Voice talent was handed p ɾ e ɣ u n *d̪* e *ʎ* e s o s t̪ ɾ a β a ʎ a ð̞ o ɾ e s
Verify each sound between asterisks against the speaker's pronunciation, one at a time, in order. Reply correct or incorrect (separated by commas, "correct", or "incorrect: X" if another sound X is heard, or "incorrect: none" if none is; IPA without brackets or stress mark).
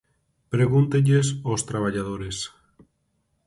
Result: incorrect: t̪, correct